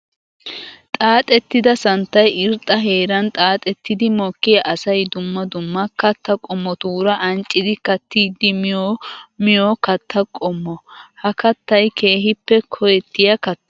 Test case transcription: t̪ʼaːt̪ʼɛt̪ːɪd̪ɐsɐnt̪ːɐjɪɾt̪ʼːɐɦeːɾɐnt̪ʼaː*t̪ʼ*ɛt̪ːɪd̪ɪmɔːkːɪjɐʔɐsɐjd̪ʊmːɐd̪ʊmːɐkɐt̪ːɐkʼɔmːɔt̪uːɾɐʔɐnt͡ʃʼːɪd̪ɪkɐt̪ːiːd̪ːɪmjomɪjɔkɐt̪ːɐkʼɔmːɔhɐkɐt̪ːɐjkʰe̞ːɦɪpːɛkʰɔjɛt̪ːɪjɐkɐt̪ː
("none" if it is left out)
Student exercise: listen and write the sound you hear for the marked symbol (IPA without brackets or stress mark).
t̪ʼ